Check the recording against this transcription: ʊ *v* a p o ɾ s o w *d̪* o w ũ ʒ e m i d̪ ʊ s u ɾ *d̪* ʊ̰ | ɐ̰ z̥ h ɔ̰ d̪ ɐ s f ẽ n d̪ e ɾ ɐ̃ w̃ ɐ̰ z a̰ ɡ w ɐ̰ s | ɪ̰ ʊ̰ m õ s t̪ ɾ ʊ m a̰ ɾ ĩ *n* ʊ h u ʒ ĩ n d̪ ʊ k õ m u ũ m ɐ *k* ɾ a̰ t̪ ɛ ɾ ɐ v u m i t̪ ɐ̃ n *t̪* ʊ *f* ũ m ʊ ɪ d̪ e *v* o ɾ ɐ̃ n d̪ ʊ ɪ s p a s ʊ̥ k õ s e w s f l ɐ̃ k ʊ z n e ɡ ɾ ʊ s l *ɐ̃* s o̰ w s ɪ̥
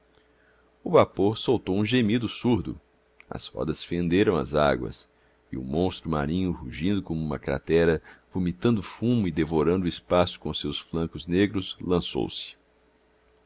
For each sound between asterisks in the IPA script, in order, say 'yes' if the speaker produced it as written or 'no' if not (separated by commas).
yes, no, yes, no, yes, no, yes, yes, yes